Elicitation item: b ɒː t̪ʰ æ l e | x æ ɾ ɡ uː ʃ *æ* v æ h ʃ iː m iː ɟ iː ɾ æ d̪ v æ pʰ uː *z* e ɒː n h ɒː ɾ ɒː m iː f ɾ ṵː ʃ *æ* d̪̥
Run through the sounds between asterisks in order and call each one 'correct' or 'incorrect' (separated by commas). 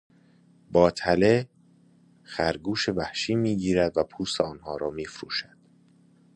incorrect, incorrect, correct